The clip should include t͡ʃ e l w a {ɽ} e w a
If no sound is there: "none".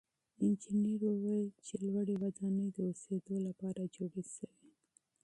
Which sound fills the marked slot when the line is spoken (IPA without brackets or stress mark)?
ɽ